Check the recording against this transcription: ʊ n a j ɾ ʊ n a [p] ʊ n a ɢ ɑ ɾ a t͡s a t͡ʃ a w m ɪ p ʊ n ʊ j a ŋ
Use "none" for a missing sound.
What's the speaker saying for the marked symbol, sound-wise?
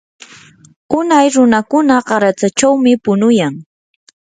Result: k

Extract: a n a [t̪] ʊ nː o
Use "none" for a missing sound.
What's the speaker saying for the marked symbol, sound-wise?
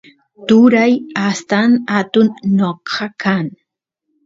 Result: t̪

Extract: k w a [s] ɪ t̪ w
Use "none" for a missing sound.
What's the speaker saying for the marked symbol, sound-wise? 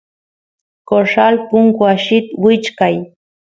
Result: ʃ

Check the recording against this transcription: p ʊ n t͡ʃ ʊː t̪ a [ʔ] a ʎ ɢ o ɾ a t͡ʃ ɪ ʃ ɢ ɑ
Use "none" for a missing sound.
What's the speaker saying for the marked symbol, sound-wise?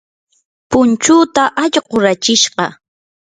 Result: ʔ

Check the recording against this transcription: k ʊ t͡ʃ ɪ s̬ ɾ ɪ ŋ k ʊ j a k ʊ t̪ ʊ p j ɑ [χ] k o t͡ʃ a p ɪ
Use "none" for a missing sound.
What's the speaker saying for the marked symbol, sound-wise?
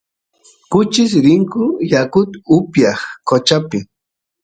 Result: χ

